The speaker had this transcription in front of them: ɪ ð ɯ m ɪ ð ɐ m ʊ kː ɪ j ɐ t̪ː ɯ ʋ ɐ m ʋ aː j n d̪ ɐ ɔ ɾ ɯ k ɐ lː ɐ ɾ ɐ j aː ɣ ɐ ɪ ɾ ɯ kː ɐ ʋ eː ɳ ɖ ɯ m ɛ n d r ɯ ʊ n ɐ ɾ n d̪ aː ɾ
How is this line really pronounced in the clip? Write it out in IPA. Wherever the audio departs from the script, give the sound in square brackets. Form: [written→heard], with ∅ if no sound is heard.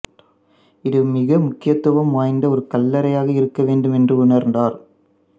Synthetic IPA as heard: ɪ ð ɯ m ɪ [ð→ɣ] ɐ m ʊ kː ɪ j ɐ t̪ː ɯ ʋ ɐ m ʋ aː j n d̪ ɐ ɔ ɾ ɯ k ɐ lː ɐ ɾ ɐ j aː ɣ ɐ ɪ ɾ ɯ kː ɐ ʋ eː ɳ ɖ ɯ m ɛ n d r ɯ ʊ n ɐ ɾ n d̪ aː ɾ

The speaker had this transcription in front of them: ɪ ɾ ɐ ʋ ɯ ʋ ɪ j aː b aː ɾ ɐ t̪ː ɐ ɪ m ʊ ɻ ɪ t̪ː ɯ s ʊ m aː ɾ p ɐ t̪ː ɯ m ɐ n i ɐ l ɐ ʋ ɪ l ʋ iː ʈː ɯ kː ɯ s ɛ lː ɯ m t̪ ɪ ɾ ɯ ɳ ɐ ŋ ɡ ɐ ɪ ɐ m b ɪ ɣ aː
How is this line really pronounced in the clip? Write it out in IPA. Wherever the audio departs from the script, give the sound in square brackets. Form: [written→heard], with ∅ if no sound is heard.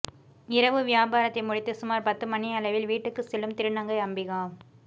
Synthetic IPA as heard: ɪ ɾ ɐ ʋ ɯ ʋ ɪ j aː b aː ɾ ɐ t̪ː ɐ ɪ m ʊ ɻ ɪ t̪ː ɯ s ʊ m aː ɾ p ɐ t̪ː ɯ m ɐ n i ɐ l ɐ ʋ ɪ l ʋ iː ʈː ɯ kː ɯ s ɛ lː ɯ m t̪ ɪ ɾ ɯ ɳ ɐ ŋ ɡ ɐ ɪ ɐ m b ɪ ɣ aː

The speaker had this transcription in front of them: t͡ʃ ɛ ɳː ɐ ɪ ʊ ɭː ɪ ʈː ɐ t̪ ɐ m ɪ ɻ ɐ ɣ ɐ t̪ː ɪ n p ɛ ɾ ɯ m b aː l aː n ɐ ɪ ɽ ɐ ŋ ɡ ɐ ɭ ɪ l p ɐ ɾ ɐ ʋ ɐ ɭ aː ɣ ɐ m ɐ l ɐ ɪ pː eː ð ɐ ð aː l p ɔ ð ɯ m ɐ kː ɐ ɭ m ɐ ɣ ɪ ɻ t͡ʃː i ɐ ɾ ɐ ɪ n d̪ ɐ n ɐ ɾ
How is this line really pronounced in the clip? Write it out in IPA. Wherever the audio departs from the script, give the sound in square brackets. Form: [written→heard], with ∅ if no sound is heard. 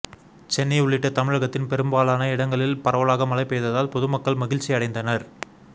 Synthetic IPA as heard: t͡ʃ ɛ [ɳː→nː] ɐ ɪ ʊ ɭː ɪ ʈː ɐ t̪ ɐ m ɪ ɻ ɐ ɣ ɐ t̪ː ɪ n p ɛ ɾ ɯ m b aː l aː n ɐ ɪ ɽ ɐ ŋ ɡ ɐ ɭ ɪ l p ɐ ɾ ɐ ʋ ɐ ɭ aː ɣ ɐ m ɐ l ɐ ɪ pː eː ð ɐ ð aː l p ɔ ð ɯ m ɐ kː ɐ ɭ m ɐ ɣ ɪ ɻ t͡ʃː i ɐ [ɾ→ɽ] ɐ ɪ n d̪ ɐ n ɐ ɾ

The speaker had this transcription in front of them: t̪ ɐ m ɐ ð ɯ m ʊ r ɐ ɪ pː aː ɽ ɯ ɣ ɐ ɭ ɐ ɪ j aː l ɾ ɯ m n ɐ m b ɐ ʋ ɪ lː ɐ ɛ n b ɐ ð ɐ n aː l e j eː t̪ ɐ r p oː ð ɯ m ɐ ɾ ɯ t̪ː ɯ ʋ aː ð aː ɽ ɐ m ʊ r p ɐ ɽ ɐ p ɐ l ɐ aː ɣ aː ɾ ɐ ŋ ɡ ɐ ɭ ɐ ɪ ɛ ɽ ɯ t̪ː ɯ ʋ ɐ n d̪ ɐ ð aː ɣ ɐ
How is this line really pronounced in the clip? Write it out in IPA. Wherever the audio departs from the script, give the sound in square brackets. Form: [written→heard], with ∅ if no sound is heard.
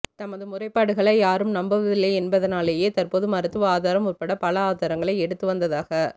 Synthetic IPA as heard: t̪ ɐ m ɐ ð ɯ m ʊ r ɐ ɪ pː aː ɽ ɯ ɣ ɐ ɭ ɐ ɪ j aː [l→∅] ɾ ɯ m n ɐ m b ɐ ʋ ɪ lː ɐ ɛ n b ɐ ð ɐ n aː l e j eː t̪ ɐ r p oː ð ɯ m ɐ ɾ ɯ t̪ː ɯ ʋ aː ð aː [ɽ→ɾ] ɐ m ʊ r p ɐ ɽ ɐ p ɐ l ɐ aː [ɣ→ð] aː ɾ ɐ ŋ ɡ ɐ ɭ ɐ ɪ ɛ ɽ ɯ t̪ː ɯ ʋ ɐ n d̪ ɐ ð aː ɣ ɐ

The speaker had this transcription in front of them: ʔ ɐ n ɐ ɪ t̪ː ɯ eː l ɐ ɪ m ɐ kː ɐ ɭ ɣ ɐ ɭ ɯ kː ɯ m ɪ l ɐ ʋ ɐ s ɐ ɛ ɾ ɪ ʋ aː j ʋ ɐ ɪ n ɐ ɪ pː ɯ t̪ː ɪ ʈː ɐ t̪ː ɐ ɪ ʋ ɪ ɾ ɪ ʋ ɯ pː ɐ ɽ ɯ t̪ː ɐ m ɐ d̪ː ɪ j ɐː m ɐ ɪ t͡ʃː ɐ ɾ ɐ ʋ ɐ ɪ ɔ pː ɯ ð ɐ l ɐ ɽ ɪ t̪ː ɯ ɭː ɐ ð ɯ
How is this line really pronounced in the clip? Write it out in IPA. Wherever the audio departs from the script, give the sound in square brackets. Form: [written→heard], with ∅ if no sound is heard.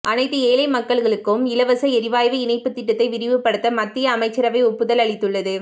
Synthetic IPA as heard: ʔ ɐ n ɐ ɪ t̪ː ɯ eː l ɐ ɪ m ɐ kː ɐ ɭ ɣ ɐ ɭ ɯ kː ɯ m ɪ l ɐ ʋ ɐ s ɐ ɛ ɾ ɪ ʋ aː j ʋ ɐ ɪ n ɐ ɪ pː ɯ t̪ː ɪ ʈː ɐ t̪ː ɐ ɪ ʋ ɪ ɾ ɪ ʋ ɯ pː ɐ ɽ ɯ t̪ː ɐ m ɐ [d̪ː→t̪ː] ɪ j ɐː m ɐ ɪ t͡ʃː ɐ ɾ ɐ ʋ ɐ ɪ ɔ pː ɯ ð ɐ l ɐ [ɽ→ɭ] ɪ t̪ː ɯ ɭː ɐ ð ɯ

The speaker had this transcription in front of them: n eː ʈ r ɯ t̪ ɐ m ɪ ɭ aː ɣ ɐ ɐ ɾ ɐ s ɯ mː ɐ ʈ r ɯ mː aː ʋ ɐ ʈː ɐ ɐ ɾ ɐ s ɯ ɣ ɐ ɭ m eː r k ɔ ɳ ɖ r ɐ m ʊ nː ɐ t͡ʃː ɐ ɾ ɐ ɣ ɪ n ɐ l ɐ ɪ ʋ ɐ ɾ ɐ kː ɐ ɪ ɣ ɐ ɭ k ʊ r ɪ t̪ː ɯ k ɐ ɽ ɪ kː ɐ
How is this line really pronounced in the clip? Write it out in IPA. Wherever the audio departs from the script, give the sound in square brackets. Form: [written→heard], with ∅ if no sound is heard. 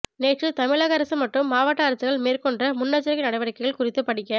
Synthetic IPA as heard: n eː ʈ r ɯ t̪ ɐ m ɪ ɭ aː ɣ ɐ ɐ ɾ ɐ s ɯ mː ɐ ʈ r ɯ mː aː ʋ ɐ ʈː ɐ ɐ ɾ ɐ s ɯ ɣ ɐ ɭ m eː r k ɔ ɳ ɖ r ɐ m ʊ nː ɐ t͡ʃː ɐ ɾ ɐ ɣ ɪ n ɐ [l→ɽ] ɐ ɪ ʋ ɐ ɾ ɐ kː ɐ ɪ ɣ ɐ ɭ k ʊ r ɪ t̪ː ɯ [k→p] ɐ ɽ ɪ kː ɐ

